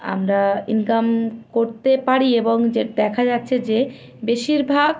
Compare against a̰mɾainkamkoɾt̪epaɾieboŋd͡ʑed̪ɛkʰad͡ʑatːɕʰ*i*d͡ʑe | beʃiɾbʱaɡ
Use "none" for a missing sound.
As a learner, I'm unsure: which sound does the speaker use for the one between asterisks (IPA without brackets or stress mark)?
e